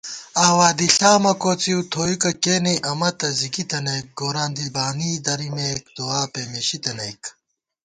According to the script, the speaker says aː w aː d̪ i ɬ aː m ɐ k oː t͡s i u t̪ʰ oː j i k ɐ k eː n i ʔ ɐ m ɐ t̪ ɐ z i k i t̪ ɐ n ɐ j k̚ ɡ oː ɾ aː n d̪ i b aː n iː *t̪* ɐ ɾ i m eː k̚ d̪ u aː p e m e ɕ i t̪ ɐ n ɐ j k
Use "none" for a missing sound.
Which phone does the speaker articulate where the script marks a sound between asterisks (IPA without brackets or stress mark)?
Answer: d̪